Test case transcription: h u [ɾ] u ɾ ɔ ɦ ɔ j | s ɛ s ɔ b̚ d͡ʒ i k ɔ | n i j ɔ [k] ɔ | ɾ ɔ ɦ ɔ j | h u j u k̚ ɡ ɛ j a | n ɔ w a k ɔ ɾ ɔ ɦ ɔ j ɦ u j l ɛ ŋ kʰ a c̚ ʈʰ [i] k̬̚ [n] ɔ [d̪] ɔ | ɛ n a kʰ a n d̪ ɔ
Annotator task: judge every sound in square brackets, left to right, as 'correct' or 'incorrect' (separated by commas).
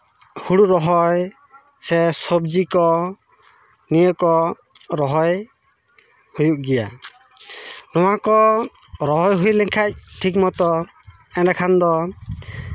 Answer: incorrect, correct, correct, incorrect, incorrect